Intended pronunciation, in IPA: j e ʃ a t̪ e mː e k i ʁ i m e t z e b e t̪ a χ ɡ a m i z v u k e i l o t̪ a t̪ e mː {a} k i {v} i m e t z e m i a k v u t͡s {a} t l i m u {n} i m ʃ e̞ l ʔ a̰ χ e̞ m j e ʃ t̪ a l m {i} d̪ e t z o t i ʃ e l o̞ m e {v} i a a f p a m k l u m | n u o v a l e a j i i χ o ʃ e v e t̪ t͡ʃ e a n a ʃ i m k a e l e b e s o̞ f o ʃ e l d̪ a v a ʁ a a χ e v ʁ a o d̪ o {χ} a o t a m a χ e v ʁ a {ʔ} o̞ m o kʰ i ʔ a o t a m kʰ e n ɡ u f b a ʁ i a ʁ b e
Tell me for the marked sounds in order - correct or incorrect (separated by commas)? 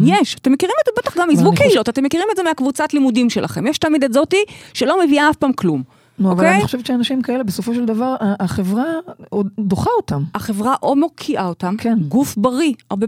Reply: incorrect, incorrect, correct, incorrect, correct, correct, correct, correct